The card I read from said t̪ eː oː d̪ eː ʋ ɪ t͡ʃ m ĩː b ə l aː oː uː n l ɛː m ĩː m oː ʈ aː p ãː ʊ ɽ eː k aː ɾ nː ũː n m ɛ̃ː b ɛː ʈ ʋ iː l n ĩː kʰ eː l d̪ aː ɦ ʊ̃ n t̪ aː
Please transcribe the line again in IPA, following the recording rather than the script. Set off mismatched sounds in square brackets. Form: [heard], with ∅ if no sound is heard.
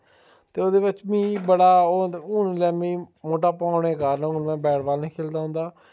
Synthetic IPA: t̪ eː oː d̪ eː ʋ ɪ t͡ʃ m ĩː b ə [ɽ] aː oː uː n l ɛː m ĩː m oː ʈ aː p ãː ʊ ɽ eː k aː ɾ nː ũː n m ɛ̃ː b ɛː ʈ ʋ [aː] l n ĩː kʰ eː l d̪ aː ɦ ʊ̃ n [d̪] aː